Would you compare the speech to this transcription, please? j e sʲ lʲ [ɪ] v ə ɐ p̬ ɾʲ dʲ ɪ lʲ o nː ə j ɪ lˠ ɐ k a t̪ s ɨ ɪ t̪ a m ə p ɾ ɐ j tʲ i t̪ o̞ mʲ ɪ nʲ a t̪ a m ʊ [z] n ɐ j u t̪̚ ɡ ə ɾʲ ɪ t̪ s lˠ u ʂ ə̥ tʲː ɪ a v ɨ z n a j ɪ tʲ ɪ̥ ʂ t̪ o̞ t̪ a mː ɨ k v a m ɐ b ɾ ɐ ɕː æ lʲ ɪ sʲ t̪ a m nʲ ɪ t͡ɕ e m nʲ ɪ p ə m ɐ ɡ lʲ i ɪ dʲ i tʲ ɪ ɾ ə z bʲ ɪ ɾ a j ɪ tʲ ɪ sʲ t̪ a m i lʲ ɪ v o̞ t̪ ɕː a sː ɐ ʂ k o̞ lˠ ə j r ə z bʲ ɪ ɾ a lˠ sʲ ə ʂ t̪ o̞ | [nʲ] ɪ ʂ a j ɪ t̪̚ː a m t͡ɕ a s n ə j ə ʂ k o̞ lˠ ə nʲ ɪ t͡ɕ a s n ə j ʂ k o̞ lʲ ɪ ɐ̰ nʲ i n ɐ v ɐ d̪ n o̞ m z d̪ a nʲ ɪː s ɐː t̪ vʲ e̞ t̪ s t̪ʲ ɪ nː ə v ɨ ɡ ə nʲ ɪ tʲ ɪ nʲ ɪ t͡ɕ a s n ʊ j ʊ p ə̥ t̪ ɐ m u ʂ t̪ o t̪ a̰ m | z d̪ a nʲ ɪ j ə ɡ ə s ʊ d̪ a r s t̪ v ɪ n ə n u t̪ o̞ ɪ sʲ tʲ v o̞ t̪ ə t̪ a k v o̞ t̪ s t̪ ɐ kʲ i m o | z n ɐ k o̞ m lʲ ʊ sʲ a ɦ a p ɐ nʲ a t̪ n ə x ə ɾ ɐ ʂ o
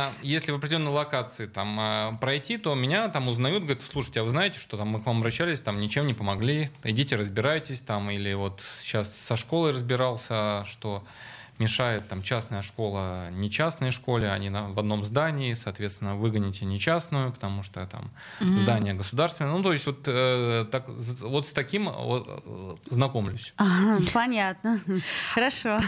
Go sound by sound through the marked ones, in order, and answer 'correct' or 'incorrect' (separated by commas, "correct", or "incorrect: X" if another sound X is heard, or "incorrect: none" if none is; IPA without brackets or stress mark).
correct, correct, incorrect: mʲ